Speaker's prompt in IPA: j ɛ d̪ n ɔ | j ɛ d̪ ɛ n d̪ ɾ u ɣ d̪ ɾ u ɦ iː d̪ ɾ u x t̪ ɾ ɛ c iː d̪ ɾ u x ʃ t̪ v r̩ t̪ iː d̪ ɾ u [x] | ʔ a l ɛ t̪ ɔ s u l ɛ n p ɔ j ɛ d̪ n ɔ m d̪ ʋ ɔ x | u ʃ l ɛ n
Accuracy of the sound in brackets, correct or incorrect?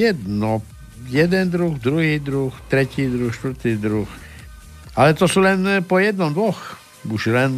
correct